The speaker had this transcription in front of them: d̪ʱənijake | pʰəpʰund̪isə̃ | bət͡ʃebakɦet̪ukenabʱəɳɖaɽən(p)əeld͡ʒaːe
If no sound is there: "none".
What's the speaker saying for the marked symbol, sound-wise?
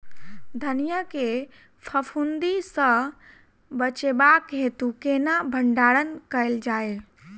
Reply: k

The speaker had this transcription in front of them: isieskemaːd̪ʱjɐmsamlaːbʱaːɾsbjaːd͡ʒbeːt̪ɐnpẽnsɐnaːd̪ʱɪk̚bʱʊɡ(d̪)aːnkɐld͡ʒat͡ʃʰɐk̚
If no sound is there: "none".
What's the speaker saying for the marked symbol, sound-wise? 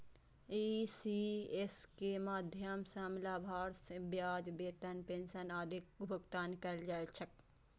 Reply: t̪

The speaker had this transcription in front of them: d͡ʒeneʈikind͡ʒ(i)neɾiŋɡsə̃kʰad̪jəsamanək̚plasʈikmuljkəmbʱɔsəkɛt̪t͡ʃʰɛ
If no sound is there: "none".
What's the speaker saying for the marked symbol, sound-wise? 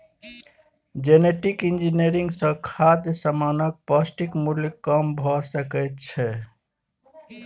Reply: i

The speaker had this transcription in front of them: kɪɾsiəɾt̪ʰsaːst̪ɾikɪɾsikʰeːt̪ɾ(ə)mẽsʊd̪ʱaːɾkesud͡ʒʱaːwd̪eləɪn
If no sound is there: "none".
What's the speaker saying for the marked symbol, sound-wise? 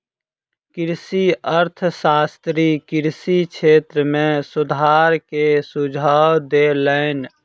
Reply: ə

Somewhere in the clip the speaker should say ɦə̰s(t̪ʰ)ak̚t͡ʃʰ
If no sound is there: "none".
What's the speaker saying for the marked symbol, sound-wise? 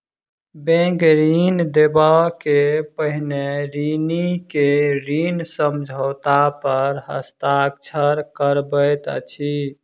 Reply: t̪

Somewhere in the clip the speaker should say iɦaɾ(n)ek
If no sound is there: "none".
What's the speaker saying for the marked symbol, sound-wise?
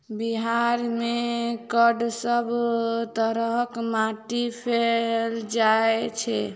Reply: m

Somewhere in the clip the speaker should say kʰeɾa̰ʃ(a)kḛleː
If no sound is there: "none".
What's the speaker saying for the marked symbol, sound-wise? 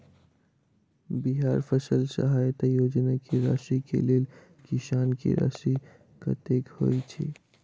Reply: i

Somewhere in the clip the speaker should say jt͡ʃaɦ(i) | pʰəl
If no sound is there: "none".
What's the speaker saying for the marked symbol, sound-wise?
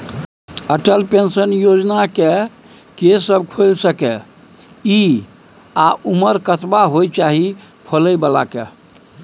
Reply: i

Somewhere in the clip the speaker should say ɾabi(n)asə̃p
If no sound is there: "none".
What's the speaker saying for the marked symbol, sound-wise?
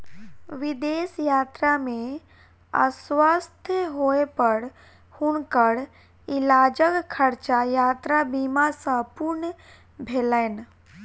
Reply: m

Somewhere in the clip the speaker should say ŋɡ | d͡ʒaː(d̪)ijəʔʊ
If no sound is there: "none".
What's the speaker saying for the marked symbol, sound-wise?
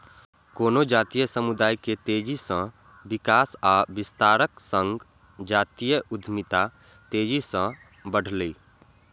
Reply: t̪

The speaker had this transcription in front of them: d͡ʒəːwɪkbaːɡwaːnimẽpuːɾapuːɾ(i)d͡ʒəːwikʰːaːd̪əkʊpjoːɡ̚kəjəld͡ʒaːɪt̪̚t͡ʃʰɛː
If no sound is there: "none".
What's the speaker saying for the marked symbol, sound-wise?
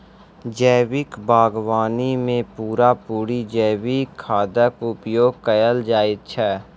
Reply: i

